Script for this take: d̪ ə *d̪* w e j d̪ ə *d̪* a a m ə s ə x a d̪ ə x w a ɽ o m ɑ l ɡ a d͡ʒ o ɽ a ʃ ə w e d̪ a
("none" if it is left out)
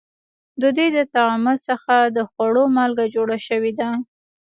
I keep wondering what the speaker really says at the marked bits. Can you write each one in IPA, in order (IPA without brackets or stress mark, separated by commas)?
d̪, t̪